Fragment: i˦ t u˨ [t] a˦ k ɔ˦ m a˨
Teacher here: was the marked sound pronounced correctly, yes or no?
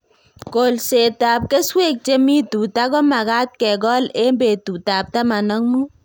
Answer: yes